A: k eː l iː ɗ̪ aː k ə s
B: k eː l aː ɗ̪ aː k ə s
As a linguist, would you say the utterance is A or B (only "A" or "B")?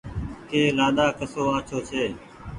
B